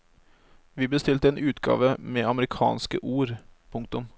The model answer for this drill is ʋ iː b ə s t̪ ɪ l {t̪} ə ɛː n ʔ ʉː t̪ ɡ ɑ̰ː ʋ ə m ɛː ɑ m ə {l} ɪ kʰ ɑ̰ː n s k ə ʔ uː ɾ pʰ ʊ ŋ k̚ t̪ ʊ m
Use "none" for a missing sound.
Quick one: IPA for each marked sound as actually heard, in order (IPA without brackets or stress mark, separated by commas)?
t̪, ɾ